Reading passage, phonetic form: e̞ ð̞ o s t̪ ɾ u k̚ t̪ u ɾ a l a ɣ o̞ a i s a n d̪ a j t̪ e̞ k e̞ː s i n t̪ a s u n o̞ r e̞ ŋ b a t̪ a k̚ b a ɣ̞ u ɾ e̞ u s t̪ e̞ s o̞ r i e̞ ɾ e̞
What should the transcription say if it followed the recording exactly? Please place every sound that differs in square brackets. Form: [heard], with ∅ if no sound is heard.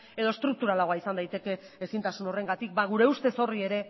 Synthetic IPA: e̞ ð̞ o s t̪ ɾ u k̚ t̪ u ɾ a l a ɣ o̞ a i s a n d̪ a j t̪ e̞ k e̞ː s i n t̪ a s u n o̞ r e̞ ŋ [ɡ] a t̪ [i] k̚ b a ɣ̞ u ɾ e̞ u s t̪ e̞ s o̞ r i e̞ ɾ e̞